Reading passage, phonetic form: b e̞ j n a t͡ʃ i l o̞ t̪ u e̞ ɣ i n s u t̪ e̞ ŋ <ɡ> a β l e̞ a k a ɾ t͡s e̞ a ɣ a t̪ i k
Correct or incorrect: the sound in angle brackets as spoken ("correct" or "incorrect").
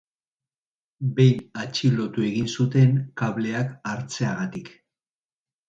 incorrect